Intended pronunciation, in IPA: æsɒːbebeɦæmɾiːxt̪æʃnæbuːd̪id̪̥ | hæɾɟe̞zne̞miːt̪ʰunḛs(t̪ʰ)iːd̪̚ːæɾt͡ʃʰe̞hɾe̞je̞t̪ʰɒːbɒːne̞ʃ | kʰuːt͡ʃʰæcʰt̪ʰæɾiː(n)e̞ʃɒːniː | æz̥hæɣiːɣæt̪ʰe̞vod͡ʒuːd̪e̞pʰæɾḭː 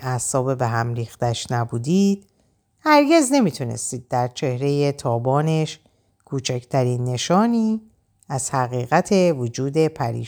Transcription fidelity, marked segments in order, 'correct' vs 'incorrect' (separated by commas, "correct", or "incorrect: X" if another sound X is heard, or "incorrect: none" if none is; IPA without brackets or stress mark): incorrect: t̪, incorrect: nː